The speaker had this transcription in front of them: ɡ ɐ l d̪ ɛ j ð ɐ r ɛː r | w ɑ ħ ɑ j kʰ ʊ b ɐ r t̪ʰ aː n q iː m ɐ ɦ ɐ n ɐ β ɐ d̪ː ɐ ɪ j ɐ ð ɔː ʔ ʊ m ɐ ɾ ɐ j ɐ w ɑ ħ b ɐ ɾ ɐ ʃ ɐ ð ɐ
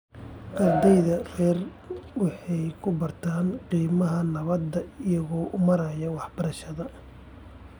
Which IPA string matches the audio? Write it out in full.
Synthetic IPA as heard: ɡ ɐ r d̪ ɛ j ð ɐ r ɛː r | w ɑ ħ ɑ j kʰ ʊ b ɐ r t̪ʰ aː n q iː m ɐ ɦ ɐ n ɐ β ɐ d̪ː ɐ ɪ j ɐ ɣ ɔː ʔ ʊ m ɐ ɾ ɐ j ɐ w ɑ ħ b ɐ ɾ ɐ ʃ ɐ ð ɐ

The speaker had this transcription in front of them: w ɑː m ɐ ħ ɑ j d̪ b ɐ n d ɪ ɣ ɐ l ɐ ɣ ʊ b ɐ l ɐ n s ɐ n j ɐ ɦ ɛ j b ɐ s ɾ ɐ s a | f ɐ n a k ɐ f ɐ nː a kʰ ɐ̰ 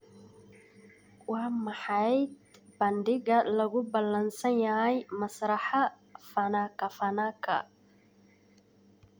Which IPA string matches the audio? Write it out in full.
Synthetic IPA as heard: w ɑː m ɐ ħ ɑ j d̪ b ɐ n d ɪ ɣ ɐ l ɐ ɣ ʊ b ɐ l ɐ n s ɐ n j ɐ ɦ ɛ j m ɐ s ɾ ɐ ħ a | f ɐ n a k ɐ f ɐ n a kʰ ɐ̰

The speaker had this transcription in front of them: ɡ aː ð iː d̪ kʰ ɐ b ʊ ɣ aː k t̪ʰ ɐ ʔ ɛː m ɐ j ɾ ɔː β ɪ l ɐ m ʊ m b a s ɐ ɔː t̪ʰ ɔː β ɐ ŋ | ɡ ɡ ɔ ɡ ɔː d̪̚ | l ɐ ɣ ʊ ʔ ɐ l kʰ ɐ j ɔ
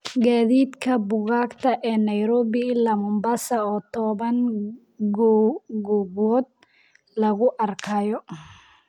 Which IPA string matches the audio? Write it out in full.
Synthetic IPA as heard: ɡ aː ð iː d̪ kʰ ɐ b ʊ ɣ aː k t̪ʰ ɐ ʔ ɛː n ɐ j ɾ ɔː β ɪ l ɐ m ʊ m b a s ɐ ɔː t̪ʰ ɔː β ɐ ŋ | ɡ ɡ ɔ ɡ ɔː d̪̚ | l ɐ ɣ ʊ ʔ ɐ r kʰ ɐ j ɔ

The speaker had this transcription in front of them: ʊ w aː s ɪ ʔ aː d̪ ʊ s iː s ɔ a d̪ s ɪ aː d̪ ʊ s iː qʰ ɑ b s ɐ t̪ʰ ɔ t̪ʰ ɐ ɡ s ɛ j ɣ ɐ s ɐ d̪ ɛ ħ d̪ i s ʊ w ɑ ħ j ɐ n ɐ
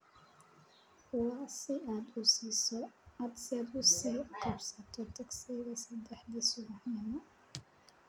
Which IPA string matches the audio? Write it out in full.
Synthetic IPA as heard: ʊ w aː s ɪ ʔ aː d̪ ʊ s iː s ɔ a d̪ s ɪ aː d̪ ʊ s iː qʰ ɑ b s ɐ t̪ʰ ɔ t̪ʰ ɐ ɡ s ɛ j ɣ ɐ s ɐ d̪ ɛ ħ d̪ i s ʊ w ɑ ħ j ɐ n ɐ

